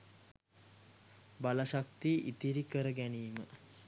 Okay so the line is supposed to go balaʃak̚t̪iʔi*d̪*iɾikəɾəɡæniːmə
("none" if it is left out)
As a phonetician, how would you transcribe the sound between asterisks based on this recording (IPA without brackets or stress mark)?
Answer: t̪